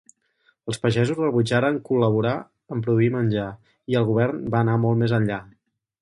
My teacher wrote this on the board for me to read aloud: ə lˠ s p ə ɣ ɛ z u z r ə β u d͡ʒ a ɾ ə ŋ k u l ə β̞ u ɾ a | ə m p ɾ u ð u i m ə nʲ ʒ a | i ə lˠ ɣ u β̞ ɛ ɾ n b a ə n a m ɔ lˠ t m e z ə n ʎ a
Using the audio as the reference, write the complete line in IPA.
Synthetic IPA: ə lˠ s p ə ʒ ɛ z u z r ə β u d͡ʒ a ɾ ə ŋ k u l ə β̞ u ɾ a | ə m p ɾ u ð u i m ə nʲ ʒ a | i ə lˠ ɣ u β̞ ɛ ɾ n b a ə n a m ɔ lˠ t m e z ə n ʎ a